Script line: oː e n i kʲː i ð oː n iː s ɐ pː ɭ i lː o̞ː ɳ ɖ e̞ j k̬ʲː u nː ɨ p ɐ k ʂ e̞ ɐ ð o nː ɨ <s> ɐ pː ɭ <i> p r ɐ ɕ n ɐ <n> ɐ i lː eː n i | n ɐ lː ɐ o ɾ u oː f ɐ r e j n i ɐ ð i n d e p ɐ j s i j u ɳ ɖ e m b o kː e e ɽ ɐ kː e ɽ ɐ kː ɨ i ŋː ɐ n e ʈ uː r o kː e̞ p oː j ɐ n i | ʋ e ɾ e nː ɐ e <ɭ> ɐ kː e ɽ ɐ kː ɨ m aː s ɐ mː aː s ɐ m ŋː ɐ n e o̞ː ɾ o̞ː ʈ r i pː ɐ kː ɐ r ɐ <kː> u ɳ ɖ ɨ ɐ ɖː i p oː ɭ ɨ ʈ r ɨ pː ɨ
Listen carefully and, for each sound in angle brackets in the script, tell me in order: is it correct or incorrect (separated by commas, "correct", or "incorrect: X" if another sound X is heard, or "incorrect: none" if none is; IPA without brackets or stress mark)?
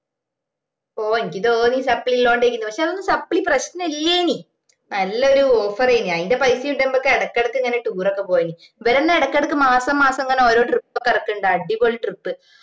correct, correct, correct, incorrect: ɽ, correct